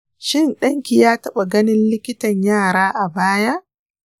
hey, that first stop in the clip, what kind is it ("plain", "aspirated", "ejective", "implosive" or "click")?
implosive